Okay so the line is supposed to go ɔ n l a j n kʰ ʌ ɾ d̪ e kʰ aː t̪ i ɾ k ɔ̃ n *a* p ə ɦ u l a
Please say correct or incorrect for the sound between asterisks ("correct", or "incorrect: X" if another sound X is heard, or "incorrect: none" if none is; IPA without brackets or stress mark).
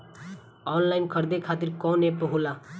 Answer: incorrect: e